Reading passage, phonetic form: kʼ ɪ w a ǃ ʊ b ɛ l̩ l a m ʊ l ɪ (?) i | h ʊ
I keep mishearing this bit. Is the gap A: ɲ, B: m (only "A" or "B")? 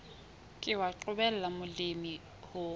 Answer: B